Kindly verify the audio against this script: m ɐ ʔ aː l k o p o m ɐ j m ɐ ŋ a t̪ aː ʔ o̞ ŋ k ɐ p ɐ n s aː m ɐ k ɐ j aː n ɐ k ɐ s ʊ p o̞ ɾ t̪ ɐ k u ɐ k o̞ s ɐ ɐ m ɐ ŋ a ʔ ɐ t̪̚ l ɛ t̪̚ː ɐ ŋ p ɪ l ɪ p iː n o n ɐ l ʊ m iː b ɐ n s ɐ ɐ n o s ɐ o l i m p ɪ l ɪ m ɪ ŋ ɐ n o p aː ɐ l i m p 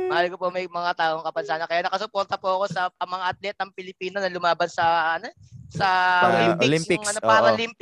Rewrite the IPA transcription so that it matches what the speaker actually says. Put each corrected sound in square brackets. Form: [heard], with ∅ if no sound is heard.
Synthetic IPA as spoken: m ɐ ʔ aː l k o p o m ɐ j m ɐ ŋ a t̪ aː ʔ o̞ ŋ k ɐ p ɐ n s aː [n] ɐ k ɐ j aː n ɐ k ɐ s ʊ p o̞ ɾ t̪ ɐ [p] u ɐ k o̞ s ɐ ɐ m ɐ ŋ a ʔ ɐ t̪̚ l ɛ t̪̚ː ɐ ŋ p ɪ l ɪ p iː n o n ɐ l ʊ m [aː] b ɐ n s ɐ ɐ n o s ɐ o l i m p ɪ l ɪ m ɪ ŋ ɐ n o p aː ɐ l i m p